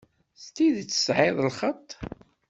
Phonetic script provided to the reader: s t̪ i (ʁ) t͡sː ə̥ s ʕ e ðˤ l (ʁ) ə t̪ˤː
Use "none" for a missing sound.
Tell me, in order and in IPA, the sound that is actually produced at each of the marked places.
ð, χ

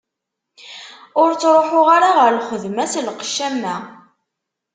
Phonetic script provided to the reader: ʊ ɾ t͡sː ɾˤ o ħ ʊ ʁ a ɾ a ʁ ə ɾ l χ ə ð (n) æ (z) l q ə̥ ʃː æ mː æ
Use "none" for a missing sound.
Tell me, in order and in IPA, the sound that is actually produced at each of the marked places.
m, s

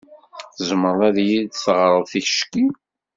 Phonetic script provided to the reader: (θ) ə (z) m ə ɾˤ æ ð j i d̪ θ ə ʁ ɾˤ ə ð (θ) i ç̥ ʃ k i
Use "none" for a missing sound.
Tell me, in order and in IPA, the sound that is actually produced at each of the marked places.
θ, z, θ

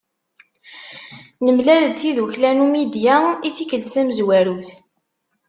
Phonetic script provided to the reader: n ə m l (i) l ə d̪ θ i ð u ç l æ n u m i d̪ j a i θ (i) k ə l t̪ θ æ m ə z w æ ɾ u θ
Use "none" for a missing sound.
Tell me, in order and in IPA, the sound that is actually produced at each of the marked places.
æ, i

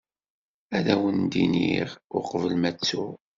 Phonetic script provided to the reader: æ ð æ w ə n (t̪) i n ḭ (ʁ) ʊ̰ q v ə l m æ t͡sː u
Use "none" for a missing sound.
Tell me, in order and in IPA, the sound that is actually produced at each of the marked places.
d̪, ʁ

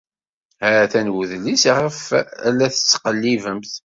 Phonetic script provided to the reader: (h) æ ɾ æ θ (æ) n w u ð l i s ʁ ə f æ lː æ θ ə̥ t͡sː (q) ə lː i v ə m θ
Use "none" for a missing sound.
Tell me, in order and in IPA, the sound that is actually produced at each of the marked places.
h, æ, q

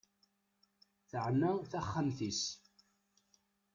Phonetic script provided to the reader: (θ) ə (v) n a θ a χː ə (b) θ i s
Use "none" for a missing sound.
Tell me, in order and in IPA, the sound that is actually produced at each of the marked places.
θ, ʕ, m

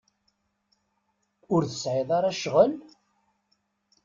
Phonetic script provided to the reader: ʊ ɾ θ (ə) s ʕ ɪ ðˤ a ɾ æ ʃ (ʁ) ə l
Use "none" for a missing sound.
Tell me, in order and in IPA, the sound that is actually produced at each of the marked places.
ə, ʁ

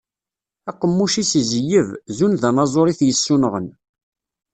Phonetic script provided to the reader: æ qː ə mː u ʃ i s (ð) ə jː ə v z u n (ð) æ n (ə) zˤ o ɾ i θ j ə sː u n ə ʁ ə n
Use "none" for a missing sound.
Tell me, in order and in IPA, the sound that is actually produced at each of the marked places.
z, ð, ɑ

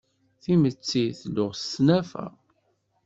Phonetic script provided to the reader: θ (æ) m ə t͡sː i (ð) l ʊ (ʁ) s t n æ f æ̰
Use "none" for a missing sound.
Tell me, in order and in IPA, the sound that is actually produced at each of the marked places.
i, θ, ʁ

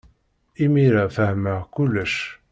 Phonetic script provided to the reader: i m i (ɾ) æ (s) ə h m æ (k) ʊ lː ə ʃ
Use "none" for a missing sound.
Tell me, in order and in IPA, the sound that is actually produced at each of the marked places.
ɾ, f, k

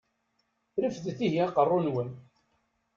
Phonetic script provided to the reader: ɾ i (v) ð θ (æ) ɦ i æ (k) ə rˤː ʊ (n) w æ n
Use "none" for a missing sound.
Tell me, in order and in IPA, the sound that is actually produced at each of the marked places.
f, i, q, n

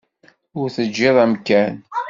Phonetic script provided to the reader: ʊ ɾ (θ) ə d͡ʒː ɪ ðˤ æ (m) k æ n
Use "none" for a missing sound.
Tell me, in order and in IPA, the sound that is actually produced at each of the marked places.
θ, m

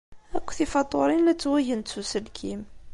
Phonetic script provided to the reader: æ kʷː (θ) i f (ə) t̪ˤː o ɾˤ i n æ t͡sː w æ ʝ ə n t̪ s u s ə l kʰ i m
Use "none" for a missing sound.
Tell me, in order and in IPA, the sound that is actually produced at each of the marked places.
θ, ɑ

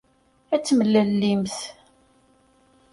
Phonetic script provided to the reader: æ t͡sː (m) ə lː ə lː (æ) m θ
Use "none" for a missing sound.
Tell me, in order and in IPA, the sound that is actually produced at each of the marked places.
m, i

